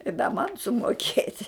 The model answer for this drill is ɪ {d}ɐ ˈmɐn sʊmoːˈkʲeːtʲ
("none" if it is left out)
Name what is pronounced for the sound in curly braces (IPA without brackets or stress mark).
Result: d